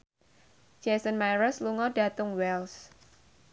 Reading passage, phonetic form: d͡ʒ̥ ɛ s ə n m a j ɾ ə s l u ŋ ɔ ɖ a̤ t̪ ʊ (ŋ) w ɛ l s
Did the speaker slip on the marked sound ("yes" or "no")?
no